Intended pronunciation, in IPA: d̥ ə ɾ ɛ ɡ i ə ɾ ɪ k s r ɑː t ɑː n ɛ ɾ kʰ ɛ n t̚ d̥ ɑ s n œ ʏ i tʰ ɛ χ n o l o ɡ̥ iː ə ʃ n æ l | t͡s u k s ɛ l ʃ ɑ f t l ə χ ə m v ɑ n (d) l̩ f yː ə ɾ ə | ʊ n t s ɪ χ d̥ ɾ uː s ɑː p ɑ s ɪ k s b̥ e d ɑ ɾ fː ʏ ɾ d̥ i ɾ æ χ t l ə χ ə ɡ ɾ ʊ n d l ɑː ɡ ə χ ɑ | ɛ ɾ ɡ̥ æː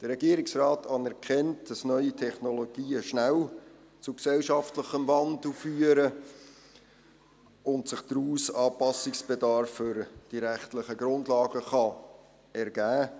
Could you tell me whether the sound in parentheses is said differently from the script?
no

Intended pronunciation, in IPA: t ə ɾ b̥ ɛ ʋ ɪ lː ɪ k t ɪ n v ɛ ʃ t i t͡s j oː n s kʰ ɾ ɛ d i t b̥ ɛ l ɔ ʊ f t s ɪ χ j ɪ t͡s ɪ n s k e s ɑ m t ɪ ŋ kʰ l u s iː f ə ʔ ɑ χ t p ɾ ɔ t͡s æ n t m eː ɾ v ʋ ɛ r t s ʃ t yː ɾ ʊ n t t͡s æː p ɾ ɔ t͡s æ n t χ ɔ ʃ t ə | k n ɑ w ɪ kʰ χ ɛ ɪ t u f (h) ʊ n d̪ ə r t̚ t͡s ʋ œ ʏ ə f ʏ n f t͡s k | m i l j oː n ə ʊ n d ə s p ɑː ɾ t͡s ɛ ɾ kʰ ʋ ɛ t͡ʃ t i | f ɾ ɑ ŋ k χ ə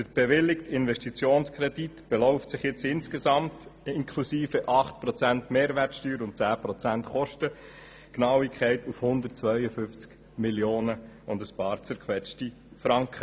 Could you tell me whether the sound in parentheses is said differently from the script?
no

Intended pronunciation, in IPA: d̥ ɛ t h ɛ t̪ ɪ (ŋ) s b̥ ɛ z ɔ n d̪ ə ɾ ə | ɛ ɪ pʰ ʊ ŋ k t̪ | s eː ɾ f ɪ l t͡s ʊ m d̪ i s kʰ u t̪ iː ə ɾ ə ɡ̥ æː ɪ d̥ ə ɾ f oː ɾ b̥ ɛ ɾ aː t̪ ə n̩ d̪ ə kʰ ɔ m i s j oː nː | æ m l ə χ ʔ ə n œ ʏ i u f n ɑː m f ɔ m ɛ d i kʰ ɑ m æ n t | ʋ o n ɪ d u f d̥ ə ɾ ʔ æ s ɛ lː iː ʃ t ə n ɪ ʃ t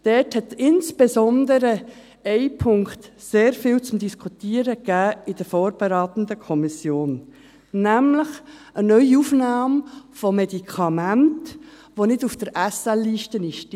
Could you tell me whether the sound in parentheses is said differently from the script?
yes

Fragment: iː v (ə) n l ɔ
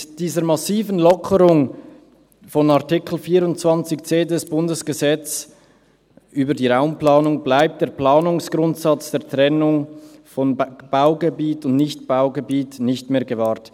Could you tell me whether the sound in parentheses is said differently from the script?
no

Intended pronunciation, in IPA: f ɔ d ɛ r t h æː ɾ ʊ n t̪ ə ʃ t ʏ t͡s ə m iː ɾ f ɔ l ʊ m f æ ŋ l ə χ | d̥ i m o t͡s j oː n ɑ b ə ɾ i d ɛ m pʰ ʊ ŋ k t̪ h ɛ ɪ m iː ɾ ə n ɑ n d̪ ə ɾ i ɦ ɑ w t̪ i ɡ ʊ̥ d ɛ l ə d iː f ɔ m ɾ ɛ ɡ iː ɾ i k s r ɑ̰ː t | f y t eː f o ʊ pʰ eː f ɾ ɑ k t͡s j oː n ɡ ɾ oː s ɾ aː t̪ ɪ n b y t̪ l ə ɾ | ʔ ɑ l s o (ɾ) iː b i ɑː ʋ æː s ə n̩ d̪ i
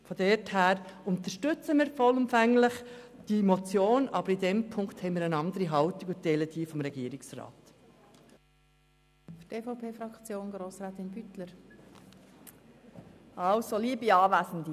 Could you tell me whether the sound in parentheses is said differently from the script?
yes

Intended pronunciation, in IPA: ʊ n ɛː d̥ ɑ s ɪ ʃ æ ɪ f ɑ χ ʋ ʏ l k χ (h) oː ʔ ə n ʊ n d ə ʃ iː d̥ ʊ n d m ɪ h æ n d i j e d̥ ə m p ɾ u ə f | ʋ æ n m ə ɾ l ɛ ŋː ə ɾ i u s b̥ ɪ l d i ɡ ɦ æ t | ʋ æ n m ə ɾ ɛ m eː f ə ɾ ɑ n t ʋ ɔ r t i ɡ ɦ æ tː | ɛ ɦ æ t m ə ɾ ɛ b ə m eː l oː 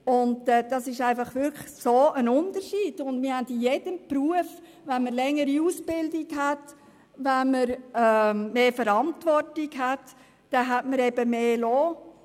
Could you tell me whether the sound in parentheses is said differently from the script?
yes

